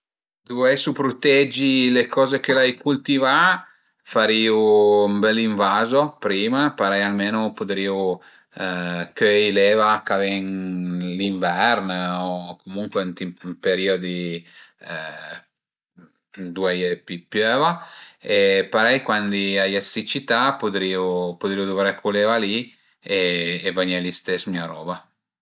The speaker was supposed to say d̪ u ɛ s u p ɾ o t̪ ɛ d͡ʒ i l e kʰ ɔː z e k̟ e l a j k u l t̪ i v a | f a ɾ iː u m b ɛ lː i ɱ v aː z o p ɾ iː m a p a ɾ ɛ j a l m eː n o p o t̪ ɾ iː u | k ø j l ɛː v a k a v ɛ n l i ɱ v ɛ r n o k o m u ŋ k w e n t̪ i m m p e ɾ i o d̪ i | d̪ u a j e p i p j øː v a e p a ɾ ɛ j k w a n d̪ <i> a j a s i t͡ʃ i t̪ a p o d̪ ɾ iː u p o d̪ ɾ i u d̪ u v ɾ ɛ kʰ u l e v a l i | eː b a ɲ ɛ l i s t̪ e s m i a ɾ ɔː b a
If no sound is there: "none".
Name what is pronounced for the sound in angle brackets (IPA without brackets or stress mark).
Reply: i